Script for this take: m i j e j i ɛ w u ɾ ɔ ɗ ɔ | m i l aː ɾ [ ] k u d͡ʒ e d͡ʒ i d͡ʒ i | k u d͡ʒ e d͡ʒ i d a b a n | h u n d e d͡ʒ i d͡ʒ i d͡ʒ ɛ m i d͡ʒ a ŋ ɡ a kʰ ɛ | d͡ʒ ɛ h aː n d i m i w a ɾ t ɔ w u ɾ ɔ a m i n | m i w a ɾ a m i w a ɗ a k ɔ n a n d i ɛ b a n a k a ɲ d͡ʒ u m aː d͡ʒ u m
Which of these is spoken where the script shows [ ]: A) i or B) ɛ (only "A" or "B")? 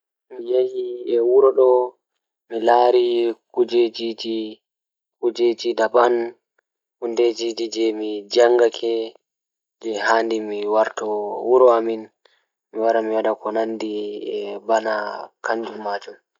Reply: A